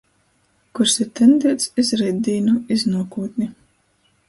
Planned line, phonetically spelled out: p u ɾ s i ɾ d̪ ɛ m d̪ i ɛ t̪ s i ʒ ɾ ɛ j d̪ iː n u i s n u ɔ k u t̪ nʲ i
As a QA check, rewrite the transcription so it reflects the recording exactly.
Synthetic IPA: k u ɾ s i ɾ t̪ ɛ n d̪ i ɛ t̪ s i z ɾ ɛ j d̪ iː n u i z n u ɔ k uː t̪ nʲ i